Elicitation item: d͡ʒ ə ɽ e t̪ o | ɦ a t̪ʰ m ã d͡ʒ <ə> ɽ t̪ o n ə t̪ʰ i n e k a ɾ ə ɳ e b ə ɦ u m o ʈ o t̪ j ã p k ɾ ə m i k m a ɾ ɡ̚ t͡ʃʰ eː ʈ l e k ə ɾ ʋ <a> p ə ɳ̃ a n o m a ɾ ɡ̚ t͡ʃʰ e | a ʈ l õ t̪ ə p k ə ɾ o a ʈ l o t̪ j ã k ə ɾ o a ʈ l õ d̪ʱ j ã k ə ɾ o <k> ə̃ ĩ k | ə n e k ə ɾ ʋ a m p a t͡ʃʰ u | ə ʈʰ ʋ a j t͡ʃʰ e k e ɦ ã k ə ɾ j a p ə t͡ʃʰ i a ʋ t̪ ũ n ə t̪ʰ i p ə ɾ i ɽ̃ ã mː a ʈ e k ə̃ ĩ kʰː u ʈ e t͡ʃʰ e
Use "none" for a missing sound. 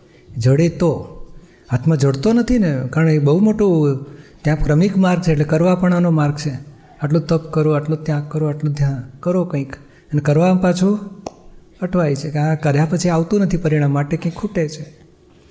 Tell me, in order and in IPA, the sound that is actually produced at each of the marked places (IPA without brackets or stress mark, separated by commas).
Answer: ə, a, k